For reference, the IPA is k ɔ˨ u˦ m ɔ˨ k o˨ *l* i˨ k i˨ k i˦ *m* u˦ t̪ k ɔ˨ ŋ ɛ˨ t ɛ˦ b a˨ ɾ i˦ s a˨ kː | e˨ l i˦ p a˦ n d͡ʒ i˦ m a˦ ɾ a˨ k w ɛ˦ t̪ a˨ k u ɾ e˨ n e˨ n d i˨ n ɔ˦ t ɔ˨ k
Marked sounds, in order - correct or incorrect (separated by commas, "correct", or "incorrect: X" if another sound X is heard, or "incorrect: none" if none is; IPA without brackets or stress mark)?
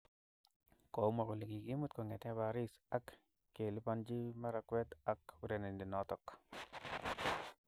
correct, correct